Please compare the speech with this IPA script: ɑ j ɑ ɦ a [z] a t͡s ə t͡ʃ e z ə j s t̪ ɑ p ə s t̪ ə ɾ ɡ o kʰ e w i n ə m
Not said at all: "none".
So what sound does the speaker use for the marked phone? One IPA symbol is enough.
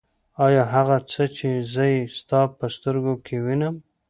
ɣ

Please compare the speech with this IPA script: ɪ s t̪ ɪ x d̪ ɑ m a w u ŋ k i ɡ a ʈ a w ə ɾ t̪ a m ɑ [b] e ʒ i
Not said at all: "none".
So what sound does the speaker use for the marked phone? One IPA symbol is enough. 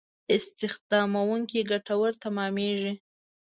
m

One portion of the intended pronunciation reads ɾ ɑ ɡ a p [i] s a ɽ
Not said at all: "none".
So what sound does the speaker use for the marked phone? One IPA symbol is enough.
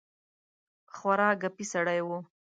i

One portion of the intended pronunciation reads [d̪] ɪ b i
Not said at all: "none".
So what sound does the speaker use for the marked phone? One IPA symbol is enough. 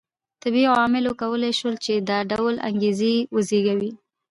t̪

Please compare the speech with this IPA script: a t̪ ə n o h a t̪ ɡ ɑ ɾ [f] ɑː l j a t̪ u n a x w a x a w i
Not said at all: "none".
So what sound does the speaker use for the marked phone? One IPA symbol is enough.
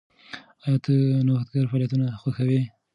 f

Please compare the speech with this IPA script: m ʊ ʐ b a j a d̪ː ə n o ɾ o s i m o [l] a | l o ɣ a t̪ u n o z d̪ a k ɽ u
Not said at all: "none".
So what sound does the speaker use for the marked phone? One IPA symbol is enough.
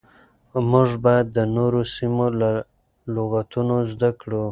l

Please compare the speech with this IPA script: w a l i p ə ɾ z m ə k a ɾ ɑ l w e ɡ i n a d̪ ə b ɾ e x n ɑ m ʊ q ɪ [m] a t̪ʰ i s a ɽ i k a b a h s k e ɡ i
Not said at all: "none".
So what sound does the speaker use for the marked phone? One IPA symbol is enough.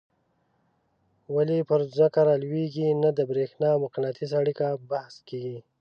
n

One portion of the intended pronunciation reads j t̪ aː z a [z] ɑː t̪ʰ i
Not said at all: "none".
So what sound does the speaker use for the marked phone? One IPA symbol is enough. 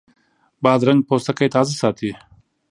s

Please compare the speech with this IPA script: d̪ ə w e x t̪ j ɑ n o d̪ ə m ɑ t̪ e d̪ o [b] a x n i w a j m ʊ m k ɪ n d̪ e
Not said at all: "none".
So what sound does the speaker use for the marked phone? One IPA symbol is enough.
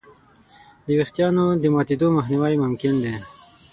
m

